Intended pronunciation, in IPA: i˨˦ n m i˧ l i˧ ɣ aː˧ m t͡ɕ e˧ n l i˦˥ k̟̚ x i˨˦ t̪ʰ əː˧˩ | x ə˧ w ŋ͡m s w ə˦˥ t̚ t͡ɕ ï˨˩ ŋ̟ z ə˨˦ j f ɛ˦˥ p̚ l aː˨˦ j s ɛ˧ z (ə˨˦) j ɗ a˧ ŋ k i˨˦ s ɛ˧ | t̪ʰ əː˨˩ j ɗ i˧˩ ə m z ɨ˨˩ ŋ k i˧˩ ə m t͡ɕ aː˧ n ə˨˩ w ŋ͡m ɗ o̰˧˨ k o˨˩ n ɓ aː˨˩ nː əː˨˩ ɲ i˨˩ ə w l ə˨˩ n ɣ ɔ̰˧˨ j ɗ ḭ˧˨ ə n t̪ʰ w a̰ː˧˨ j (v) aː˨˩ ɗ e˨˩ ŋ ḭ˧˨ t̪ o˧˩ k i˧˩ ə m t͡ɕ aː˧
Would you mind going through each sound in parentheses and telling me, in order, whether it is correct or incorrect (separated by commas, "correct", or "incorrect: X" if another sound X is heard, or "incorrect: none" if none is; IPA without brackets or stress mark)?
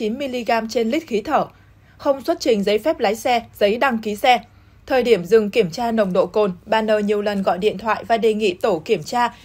correct, correct